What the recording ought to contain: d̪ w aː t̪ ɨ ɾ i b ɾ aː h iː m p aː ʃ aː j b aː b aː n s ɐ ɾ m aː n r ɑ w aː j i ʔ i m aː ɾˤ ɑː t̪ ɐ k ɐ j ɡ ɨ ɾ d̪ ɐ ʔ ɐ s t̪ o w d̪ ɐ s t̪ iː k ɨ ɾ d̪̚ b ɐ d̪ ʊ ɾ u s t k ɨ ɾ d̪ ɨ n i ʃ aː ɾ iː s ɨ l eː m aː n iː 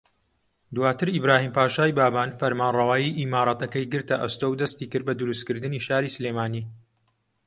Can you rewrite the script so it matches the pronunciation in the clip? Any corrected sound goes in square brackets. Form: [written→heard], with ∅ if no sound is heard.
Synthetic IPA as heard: d̪ w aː t̪ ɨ ɾ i b ɾ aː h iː m p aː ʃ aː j b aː b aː n [s→f] ɐ ɾ m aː n r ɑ w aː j i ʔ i m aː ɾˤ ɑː t̪ ɐ k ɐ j ɡ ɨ ɾ [d̪→t̪] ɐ ʔ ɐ s t̪ o w d̪ ɐ s t̪ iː k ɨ ɾ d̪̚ b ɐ d̪ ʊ ɾ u s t k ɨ ɾ d̪ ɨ n i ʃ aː ɾ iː s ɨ l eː m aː n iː